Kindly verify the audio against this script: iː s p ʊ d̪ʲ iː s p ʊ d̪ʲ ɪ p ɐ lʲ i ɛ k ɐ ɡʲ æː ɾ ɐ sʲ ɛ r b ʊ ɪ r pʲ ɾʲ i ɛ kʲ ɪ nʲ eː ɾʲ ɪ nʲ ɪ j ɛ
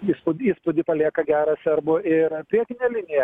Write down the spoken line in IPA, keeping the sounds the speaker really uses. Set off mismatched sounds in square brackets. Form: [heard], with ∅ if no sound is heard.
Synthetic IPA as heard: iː s p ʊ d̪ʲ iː s p ʊ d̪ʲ ɪ p ɐ lʲ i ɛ k ɐ ɡʲ æː ɾ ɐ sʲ ɛ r b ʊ ɪ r pʲ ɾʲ i ɛ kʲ ɪ nʲ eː [lʲ] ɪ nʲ ɪ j ɛ